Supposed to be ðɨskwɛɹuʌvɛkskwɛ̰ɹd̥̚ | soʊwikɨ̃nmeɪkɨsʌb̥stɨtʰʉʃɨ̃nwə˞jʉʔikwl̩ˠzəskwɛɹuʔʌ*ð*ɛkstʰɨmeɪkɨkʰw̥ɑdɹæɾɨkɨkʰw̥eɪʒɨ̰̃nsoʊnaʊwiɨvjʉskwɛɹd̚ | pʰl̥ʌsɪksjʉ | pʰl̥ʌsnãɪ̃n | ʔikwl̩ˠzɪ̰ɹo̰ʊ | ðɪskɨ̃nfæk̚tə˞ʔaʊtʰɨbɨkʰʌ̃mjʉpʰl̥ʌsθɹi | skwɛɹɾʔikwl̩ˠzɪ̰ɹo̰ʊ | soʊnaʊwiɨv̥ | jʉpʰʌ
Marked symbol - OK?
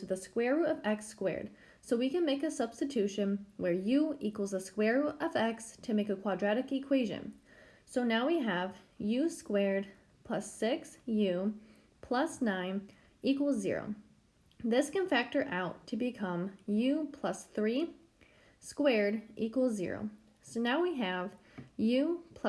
no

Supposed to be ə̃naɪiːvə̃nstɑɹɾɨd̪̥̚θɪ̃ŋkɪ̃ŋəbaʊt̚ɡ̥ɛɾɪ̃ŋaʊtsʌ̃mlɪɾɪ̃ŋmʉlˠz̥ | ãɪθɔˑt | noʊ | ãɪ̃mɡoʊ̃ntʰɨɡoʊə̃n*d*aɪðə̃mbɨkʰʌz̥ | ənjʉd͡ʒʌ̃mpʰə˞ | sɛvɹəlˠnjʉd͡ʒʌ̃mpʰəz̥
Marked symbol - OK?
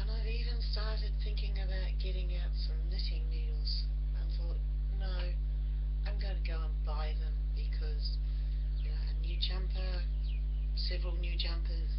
no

